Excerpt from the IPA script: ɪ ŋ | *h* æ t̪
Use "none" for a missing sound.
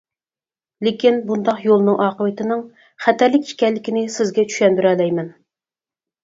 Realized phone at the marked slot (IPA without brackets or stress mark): χ